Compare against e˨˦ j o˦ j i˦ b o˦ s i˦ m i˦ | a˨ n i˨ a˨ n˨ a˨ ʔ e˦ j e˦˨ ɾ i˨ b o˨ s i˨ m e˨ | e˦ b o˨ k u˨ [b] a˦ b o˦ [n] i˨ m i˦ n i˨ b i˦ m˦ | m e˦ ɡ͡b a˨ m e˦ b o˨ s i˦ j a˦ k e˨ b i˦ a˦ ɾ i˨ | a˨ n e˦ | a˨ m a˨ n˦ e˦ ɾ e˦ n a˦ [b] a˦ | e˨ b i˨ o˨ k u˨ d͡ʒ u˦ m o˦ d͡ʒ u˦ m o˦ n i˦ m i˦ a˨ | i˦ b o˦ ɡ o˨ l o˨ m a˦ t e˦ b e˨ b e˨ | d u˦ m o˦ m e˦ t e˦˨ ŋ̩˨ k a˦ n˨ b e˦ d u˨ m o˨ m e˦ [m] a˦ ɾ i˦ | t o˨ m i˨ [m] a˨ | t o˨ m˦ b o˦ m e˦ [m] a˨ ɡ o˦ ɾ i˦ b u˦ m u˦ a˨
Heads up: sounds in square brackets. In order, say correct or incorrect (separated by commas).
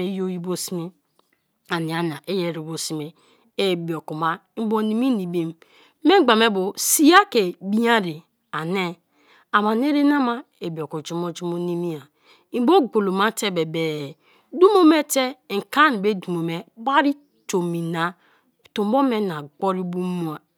incorrect, correct, incorrect, incorrect, incorrect, incorrect